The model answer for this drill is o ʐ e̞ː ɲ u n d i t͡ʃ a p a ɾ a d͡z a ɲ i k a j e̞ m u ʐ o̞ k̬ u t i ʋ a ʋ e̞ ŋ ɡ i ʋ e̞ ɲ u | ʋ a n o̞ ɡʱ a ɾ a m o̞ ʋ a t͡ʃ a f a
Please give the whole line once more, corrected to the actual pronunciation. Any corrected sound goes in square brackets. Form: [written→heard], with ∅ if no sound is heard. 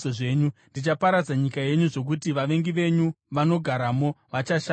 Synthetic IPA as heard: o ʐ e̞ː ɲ u n d i t͡ʃ a p a ɾ a d͡z a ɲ i k a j e̞ [m→ɲ] u ʐ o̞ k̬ u t i ʋ a ʋ e̞ ŋ ɡ i ʋ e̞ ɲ u | ʋ a n o̞ ɡʱ a ɾ a m o̞ ʋ a t͡ʃ a [f→ʃ] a